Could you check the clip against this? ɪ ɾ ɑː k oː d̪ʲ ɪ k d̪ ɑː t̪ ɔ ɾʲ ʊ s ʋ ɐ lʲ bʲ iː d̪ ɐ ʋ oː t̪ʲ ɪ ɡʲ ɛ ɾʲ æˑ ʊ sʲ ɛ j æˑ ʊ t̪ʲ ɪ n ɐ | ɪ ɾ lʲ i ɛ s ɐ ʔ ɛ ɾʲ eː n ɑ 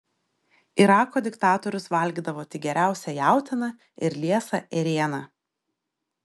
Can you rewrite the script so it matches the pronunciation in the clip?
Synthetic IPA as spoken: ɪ ɾ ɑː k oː d̪ʲ ɪ k t̪ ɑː t̪ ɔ ɾʲ ʊ s ʋ ɐ lʲ ɡʲ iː d̪ ɐ ʋ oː t̪ʲ ɪ ɡʲ ɛ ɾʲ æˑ ʊ sʲ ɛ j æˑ ʊ t̪ʲ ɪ n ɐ | ɪ ɾ lʲ i ɛ s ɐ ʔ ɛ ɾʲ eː n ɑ